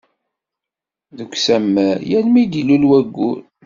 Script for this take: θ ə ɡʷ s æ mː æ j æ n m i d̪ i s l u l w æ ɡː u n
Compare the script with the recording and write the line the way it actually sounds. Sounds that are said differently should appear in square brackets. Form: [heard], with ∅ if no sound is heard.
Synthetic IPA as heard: [ð] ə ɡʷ s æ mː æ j æ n m i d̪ i [∅] l u l w æ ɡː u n